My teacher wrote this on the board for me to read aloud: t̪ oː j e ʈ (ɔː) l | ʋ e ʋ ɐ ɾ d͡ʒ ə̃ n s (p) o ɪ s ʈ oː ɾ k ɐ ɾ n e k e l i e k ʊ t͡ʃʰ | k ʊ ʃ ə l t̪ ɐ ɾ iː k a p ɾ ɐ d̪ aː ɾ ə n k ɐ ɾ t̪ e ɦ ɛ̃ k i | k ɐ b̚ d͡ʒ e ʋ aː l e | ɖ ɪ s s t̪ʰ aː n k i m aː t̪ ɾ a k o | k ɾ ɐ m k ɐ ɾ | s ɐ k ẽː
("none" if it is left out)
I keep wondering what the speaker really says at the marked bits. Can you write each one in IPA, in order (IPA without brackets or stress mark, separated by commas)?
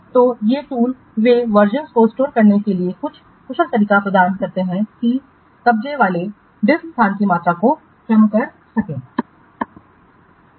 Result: uː, k